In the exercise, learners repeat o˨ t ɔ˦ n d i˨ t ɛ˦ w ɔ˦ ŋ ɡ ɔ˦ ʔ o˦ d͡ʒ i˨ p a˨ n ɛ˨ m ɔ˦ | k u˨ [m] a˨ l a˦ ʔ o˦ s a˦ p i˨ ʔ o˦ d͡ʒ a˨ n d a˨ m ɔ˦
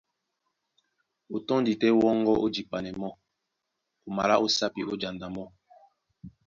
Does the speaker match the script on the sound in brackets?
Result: yes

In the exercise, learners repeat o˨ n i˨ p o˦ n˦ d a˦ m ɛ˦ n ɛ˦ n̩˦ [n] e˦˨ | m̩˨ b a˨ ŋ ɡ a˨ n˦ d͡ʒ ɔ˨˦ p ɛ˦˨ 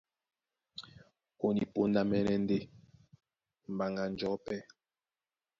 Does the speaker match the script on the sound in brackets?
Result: no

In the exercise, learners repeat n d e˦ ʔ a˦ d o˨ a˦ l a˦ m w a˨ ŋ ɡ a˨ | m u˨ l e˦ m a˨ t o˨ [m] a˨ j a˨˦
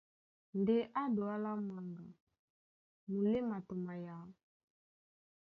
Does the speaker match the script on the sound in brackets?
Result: yes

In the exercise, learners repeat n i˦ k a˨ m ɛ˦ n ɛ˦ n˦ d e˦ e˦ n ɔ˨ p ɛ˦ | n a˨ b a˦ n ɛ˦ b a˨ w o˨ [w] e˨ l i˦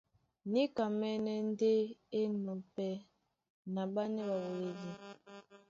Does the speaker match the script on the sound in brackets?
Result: yes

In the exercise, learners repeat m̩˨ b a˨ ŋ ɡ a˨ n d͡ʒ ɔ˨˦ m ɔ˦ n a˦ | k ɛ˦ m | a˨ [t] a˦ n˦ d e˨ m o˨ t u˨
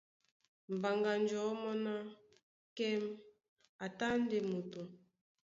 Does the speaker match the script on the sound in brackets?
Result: yes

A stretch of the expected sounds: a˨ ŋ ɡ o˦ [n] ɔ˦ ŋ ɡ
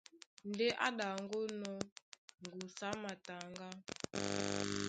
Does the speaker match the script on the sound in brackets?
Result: yes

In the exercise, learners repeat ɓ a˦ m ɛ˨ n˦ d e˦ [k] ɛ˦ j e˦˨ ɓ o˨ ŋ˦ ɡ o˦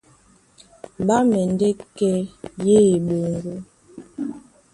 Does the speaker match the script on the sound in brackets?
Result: yes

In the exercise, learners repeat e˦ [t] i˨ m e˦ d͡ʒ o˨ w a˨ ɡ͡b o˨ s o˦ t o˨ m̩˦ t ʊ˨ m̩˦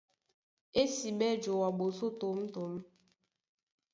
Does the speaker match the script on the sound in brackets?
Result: no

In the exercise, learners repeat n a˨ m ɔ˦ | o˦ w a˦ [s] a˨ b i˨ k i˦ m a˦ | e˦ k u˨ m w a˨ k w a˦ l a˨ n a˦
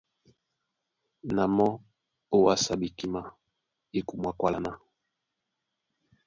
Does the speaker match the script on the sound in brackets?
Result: yes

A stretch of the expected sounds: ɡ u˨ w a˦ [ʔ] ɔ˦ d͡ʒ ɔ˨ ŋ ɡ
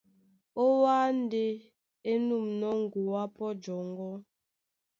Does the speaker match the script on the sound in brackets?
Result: no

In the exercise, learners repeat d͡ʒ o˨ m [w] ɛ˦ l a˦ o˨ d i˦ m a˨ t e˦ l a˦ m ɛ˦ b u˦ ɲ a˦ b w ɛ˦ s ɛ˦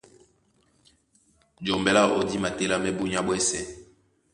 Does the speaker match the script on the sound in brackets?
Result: no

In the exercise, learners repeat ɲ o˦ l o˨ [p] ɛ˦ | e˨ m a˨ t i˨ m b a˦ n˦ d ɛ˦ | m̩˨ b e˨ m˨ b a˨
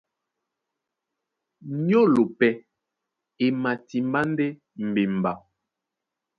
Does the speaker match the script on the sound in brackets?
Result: yes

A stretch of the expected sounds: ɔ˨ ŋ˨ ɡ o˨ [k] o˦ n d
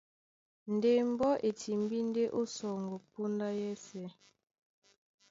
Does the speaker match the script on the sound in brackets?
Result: no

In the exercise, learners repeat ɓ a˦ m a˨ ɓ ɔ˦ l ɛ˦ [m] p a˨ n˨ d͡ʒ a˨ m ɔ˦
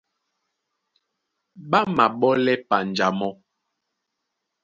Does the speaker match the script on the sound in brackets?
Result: no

